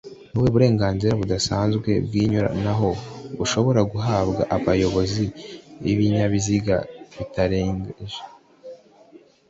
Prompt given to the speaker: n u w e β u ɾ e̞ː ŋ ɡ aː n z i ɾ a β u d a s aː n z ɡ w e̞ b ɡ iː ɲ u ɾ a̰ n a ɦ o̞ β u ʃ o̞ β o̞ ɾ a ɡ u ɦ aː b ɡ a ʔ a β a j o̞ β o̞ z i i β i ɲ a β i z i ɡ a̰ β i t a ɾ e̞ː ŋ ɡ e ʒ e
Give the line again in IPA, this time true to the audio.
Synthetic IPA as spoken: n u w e β u ɾ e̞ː ŋ ɡ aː n z i ɾ a β u d a s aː n z ɡ w e̞ b ɡ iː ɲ u ɾ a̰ n a ɦ o̞ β u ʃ o̞ β o̞ ɾ a ɡ u ɦ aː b ɡ a ʔ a β a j o̞ β o̞ z i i β i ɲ a β i z i ɡ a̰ β i t a ɾ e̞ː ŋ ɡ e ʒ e